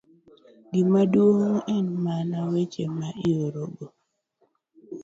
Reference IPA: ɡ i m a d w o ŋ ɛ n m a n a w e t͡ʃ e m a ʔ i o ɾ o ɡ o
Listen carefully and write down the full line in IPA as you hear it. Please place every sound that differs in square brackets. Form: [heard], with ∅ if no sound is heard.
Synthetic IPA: ɡ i m a d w o ŋ ɛ n m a n a w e t͡ʃ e m a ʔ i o ɾ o ɡ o